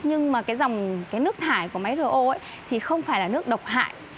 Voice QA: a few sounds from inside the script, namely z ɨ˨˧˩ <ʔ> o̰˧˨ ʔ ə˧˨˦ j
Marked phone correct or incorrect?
correct